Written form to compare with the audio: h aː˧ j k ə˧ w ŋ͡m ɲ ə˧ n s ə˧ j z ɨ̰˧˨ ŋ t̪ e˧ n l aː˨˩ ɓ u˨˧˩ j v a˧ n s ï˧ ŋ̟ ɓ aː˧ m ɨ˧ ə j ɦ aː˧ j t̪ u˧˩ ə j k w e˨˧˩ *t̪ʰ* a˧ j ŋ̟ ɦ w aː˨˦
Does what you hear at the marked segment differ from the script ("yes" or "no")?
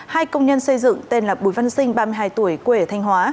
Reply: no